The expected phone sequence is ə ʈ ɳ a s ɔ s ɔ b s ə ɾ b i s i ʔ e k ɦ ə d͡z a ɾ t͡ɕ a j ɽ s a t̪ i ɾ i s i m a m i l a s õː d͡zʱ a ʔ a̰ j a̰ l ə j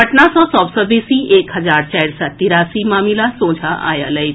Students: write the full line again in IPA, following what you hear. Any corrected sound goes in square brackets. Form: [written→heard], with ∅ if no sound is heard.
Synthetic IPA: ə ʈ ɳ a s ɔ s ɔ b s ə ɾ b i s i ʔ e k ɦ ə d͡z a ɾ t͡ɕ a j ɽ s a t̪ i ɾ [i→a] s i m a m i l a s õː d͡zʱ a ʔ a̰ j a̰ l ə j